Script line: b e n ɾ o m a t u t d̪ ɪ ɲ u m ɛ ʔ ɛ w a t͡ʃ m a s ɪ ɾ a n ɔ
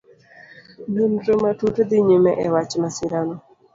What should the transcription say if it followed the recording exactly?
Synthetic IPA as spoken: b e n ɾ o m a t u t d̪ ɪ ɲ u m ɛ ʔ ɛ w a t͡ʃ m a s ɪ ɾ a n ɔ